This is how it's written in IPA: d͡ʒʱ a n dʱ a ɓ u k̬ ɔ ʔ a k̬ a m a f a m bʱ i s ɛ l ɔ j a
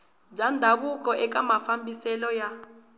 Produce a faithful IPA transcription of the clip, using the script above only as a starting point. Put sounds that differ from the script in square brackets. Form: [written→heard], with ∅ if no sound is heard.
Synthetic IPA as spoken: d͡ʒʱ a n dʱ a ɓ u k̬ ɔ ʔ [a→ɛ] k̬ a m a f a m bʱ i s ɛ l ɔ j a

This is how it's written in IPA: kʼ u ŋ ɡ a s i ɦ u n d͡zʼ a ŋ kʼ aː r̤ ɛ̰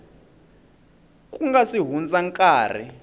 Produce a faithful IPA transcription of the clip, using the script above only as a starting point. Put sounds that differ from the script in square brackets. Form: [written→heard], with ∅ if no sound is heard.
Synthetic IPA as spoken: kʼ u ŋ ɡ a s i ɦ u n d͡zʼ a ŋ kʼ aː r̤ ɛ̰

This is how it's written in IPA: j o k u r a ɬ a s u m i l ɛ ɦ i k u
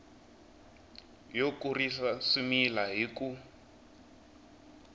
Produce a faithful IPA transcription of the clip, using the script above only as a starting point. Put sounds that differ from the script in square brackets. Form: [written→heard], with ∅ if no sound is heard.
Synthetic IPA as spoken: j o k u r [a→i] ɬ a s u m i l [ɛ→a] ɦ i k u

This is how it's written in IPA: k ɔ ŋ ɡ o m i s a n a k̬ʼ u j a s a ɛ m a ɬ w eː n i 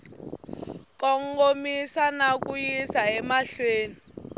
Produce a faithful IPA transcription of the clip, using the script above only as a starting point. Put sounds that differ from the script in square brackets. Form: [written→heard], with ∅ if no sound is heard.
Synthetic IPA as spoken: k ɔ ŋ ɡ o m i s a n a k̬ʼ u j [a→i] s a ɛ m a ɬ w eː n i

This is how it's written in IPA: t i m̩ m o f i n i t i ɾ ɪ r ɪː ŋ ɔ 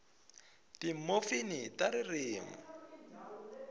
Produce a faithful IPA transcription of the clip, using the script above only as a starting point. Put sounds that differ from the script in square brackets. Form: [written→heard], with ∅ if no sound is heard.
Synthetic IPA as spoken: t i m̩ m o f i n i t [i→a] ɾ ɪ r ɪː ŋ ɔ

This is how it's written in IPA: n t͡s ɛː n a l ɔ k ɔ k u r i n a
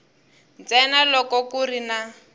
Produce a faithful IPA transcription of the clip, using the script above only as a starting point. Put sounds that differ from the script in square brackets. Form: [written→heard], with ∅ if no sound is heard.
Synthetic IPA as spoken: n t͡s [ɛː→ɛ] n a l ɔ k ɔ k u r i n a

